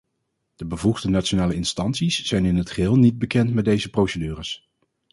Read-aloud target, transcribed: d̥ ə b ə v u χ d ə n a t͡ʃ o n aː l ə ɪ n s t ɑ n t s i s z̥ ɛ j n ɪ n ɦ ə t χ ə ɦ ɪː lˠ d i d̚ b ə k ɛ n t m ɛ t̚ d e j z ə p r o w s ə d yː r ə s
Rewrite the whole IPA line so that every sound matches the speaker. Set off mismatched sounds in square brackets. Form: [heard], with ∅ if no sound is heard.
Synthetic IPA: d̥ ə b ə v u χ d ə n a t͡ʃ o n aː l ə ɪ n s t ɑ n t s i s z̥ ɛ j n ɪ n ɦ ə t χ ə ɦ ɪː lˠ [n] i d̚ b ə k ɛ n t m ɛ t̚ d e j z ə p r o w s ə d yː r ə s